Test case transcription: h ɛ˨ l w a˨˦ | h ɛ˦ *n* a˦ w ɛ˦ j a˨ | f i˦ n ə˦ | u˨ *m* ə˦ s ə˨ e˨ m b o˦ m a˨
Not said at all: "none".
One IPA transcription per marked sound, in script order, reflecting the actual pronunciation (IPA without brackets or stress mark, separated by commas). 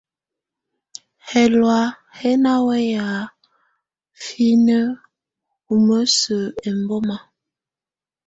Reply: n, m